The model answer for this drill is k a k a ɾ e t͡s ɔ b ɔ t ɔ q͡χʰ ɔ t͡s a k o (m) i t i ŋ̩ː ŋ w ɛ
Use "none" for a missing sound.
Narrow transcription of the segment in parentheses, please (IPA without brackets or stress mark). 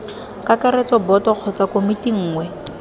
m